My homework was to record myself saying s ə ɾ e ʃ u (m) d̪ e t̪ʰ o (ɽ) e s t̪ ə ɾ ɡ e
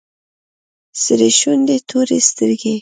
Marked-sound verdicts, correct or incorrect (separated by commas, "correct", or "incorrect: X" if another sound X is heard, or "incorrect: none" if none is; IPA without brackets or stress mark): incorrect: n, incorrect: ɾ